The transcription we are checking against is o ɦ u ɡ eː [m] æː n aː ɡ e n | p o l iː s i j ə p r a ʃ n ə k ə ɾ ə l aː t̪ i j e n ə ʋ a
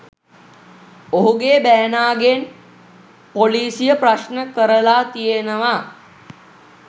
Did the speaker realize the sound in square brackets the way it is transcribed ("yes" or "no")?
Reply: no